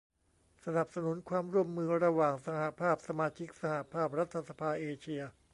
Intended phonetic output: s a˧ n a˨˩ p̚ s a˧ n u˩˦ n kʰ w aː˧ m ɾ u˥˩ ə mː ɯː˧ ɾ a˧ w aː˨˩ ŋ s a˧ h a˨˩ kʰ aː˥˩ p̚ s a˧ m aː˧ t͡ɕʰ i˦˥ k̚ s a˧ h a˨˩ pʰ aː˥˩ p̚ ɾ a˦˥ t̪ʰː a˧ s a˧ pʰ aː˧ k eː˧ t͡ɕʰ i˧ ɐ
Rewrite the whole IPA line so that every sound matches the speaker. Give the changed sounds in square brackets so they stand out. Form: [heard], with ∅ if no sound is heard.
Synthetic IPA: s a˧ n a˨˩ p̚ s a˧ n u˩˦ n kʰ w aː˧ m ɾ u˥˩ ə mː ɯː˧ ɾ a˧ w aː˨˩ ŋ s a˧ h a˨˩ [pʰ] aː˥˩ p̚ s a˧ m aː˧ t͡ɕʰ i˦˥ k̚ s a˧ h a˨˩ pʰ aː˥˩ p̚ ɾ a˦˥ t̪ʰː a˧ s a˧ pʰ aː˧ [ʔ] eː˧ t͡ɕʰ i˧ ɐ